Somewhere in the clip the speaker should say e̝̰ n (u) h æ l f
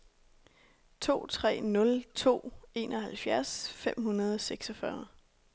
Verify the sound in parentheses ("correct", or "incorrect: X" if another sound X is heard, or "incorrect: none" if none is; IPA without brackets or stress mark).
incorrect: ɒ